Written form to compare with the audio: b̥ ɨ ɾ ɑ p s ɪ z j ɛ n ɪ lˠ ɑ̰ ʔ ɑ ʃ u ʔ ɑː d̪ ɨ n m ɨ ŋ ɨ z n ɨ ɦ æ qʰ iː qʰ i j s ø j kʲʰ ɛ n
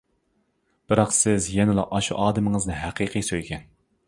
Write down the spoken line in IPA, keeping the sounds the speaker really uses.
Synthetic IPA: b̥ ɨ ɾ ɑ q s ɪ z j ɛ n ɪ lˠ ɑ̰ ʔ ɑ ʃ u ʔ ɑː d̪ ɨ m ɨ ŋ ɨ z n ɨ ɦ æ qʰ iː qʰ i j s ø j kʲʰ ɛ n